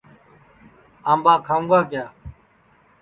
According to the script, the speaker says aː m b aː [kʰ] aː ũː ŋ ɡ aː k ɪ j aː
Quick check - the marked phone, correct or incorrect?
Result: correct